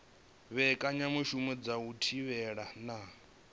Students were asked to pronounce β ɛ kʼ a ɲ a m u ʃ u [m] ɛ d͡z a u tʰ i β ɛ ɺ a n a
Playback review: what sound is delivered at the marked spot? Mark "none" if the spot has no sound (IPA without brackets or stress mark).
m